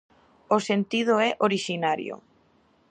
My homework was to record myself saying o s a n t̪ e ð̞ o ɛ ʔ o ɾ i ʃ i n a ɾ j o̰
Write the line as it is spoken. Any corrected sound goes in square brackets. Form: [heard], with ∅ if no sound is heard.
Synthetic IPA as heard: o s [e] n t̪ [i] ð̞ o ɛ ʔ o ɾ i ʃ i n a ɾ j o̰

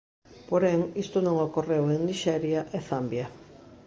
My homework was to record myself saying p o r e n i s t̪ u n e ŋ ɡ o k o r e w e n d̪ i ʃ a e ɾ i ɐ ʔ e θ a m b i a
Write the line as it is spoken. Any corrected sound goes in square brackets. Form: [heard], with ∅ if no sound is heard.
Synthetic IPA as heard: p o [ɾ] e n i s t̪ u n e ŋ ɡ o k o r e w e n d̪ i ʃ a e ɾ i [a] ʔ e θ a m b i a

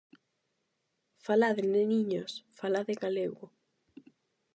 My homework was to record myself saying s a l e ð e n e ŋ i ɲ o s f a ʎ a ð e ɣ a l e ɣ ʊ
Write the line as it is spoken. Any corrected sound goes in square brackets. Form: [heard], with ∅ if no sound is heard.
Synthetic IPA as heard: [f] a l [a] ð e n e [n] i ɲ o s f a [l] a ð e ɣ a l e ɣ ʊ

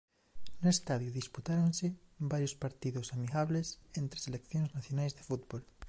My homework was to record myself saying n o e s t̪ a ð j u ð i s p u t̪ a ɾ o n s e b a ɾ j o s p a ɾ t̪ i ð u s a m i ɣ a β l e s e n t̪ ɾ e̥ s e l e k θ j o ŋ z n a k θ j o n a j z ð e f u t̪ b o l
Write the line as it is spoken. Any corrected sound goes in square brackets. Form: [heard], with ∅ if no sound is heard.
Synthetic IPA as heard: n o e s t̪ a ð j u ð i s p u t̪ a ɾ o n s e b a ɾ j o s p a ɾ t̪ i ð [o] s a m i ɣ a β l e s e n t̪ ɾ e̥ s e l e k θ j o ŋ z n a [∅] θ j o n a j z ð e f u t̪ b o l

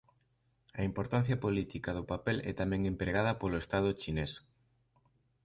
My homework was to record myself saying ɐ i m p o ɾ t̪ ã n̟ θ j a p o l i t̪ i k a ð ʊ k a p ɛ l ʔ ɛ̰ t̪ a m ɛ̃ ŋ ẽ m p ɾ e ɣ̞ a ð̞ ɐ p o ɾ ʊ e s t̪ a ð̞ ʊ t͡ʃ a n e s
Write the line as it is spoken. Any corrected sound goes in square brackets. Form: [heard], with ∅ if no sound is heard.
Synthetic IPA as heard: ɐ i m p o ɾ t̪ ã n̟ θ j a p o l i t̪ i k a ð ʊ [p] a p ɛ l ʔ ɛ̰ t̪ a m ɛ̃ ŋ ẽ m p ɾ e ɣ̞ a ð̞ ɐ p o [l] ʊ e s t̪ a ð̞ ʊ t͡ʃ [i] n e s

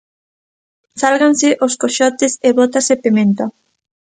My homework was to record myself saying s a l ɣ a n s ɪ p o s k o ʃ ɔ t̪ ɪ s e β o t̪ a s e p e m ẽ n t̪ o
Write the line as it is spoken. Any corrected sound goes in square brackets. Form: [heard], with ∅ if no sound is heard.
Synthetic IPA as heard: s a l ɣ a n s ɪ [ʔ] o s k o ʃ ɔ t̪ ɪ s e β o t̪ a s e p e m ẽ n t̪ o

